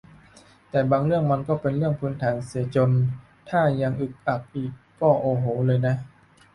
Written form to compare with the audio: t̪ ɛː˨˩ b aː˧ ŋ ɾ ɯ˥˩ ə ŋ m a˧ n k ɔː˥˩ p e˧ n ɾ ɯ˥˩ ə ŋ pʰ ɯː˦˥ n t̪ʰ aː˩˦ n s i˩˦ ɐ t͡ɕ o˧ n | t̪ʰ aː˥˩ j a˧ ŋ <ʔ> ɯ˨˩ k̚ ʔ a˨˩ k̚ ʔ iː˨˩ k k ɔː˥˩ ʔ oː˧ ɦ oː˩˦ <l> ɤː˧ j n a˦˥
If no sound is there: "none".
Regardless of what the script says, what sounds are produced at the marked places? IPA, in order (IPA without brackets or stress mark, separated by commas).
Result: ʔ, l